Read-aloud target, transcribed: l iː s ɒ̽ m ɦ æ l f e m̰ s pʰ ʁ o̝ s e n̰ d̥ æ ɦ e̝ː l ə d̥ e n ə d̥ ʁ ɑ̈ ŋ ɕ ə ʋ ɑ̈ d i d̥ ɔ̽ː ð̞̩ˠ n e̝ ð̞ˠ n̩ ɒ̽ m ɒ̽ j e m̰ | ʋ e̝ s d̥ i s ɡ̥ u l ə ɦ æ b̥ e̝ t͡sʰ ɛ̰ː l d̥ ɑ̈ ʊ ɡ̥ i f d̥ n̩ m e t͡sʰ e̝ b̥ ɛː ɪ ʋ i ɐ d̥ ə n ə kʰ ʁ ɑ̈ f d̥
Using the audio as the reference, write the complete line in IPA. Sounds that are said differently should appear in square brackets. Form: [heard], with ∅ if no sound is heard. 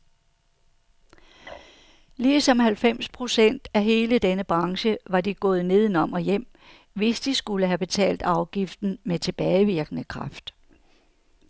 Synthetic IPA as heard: l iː s ɒ̽ m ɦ æ l f e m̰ s pʰ ʁ o̝ s e n̰ d̥ æ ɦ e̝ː l ə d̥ e n ə [b̥] ʁ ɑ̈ ŋ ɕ ə ʋ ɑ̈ d i [ɡ̥] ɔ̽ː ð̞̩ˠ n e̝ ð̞ˠ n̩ ɒ̽ m ɒ̽ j e m̰ | ʋ e̝ s d̥ i s ɡ̥ u l ə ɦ æ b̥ e̝ t͡sʰ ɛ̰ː l d̥ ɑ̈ ʊ ɡ̥ i f d̥ n̩ m e t͡sʰ e̝ b̥ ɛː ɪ ʋ i ɐ [ɡ̥] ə n ə kʰ ʁ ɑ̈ f d̥